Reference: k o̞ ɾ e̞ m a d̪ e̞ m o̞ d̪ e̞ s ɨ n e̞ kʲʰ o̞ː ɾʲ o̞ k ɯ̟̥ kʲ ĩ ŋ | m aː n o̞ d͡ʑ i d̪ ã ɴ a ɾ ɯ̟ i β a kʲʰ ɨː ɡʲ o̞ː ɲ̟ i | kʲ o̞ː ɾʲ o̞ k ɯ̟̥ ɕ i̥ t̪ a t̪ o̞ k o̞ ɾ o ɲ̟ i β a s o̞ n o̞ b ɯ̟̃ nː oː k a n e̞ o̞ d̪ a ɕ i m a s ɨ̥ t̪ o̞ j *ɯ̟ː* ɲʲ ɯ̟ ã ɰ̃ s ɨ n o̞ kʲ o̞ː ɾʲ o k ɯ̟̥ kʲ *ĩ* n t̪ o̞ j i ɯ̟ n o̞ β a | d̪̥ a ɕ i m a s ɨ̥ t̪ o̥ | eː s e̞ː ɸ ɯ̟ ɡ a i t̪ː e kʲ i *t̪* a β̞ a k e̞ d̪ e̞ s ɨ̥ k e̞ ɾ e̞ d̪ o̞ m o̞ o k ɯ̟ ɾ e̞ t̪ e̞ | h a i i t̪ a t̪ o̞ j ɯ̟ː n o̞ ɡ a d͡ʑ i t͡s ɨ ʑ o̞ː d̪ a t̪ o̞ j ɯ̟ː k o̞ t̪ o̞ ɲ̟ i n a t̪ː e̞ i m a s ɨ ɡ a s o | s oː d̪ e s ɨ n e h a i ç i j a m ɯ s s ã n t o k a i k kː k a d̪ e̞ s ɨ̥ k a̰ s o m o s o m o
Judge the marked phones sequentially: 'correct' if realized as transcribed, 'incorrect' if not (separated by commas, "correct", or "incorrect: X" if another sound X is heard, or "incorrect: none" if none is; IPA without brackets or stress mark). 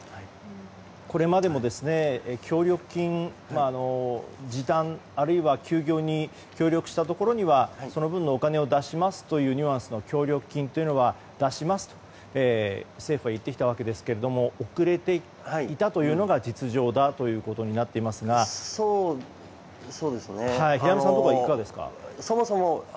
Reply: correct, correct, correct